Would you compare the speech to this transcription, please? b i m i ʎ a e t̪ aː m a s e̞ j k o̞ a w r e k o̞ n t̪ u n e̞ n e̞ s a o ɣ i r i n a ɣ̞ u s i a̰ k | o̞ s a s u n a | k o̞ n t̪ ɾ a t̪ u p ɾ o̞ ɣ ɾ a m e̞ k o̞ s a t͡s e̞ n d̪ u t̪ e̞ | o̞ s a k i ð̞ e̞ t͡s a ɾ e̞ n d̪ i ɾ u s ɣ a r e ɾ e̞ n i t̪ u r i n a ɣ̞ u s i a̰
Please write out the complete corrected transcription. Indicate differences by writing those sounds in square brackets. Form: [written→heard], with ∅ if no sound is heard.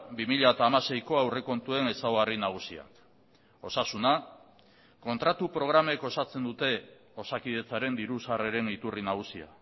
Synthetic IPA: b i m i ʎ a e t̪ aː m a s e̞ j k o̞ a w r e k o̞ n t̪ u [n→∅] e̞ n e̞ s a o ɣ [i→a] r i n a ɣ̞ u s i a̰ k | o̞ s a s u n a | k o̞ n t̪ ɾ a t̪ u p ɾ o̞ ɣ ɾ a m e̞ k o̞ s a t͡s e̞ n d̪ u t̪ e̞ | o̞ s a k i ð̞ e̞ t͡s a ɾ e̞ n d̪ i ɾ u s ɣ a r e ɾ e̞ n i t̪ u r i n a ɣ̞ u s i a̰